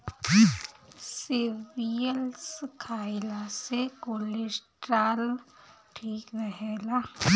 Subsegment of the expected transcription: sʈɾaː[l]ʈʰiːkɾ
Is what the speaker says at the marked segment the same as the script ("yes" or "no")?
yes